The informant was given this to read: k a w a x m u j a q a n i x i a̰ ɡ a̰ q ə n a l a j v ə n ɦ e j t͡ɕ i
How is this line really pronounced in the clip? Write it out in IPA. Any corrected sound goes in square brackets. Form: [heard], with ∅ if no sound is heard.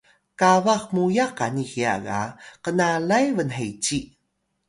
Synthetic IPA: k a [v] a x m u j a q a n i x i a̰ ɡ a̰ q ə n a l a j v ə n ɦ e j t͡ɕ i

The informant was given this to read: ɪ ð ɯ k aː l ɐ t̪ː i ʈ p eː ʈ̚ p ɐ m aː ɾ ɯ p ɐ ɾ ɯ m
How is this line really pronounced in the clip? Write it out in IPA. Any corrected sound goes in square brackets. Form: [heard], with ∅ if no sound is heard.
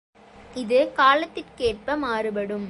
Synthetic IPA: ɪ ð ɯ k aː l ɐ t̪ː [ɪ] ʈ [k] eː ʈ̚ p ɐ m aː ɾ ɯ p ɐ [ɽ] ɯ m

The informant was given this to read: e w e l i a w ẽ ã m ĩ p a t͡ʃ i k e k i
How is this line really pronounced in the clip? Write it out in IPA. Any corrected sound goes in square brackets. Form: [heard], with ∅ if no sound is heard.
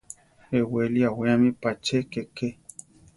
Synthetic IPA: e w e l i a w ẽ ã m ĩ p a t͡ʃ [e] k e k [e]

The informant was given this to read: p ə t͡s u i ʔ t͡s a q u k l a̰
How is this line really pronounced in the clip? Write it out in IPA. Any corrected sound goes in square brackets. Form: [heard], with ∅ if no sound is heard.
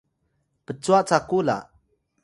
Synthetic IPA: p ə t͡s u [a] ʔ t͡s a [k] u [∅] l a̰

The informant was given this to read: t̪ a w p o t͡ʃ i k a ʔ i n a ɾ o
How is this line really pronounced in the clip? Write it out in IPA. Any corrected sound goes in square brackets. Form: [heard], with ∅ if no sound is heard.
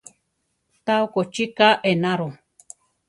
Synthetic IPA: t̪ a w [k] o t͡ʃ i k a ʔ [e] n a ɾ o

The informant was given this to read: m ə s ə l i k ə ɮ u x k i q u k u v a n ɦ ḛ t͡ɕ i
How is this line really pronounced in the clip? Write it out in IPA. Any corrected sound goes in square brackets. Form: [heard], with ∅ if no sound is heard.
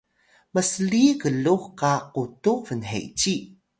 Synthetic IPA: m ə s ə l i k ə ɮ u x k [a] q u [t] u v [ə] n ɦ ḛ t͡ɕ i

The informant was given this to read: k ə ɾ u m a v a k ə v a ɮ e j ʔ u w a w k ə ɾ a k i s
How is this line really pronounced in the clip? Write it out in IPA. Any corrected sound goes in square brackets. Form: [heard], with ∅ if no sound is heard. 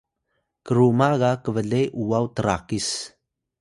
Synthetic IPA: k ə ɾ u m a [ɣ] a k ə v [ə] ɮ e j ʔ u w a w [t] ə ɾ a k i s

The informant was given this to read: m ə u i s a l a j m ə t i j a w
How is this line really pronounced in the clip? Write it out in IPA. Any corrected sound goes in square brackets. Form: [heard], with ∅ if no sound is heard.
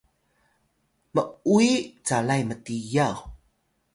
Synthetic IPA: m ə u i [t͡s] a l a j m ə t i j a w

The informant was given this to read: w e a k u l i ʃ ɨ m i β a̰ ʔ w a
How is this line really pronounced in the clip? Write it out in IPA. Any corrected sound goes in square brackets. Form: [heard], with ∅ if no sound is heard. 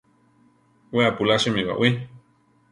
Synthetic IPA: w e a [p] u l [a] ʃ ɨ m i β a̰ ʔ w [i]

